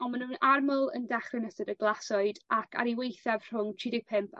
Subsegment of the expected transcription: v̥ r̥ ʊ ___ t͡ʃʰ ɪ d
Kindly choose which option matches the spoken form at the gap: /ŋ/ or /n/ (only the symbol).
ŋ